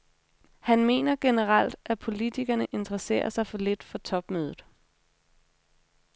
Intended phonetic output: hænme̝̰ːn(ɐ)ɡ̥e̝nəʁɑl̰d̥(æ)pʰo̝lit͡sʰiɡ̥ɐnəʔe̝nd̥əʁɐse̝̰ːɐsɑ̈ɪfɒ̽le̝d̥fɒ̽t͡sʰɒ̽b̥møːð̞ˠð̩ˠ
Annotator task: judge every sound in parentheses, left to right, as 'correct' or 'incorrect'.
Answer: correct, correct

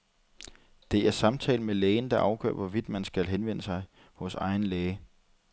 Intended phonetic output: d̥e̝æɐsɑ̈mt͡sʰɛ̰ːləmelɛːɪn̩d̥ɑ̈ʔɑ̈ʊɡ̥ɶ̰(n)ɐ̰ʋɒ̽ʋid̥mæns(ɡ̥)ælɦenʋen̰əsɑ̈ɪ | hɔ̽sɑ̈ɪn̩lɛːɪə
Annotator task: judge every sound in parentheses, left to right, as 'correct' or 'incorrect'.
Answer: incorrect, correct

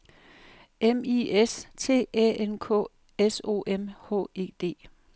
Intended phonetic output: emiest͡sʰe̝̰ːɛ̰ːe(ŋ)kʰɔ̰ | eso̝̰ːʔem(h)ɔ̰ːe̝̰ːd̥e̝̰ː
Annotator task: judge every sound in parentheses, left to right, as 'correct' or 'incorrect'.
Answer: incorrect, correct

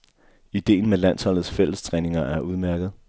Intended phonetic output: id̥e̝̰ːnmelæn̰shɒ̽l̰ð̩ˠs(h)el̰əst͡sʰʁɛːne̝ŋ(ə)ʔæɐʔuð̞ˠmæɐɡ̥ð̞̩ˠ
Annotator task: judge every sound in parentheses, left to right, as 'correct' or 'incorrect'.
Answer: incorrect, incorrect

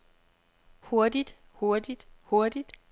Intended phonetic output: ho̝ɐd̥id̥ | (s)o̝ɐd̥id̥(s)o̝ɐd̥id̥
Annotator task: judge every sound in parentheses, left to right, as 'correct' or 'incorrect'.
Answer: incorrect, incorrect

